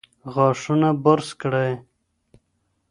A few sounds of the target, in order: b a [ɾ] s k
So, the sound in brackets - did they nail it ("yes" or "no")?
yes